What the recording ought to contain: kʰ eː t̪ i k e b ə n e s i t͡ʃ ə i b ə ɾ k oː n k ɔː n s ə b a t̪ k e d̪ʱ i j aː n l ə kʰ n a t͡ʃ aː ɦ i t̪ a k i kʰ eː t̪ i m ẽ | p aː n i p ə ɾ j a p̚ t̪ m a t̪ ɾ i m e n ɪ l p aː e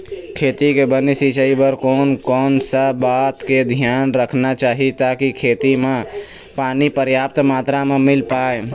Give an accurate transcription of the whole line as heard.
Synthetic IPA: kʰ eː t̪ i k e b ə n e s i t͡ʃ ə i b ə ɾ k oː n k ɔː n s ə b a t̪ k e d̪ʱ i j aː n ɾ ə kʰ n a t͡ʃ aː ɦ i t̪ a k i kʰ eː t̪ i m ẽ | p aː n i p ə ɾ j a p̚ t̪ m a t̪ ɾ a m e m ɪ l p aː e